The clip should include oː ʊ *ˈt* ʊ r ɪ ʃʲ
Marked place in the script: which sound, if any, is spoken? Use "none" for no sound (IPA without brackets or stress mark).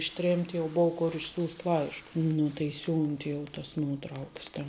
k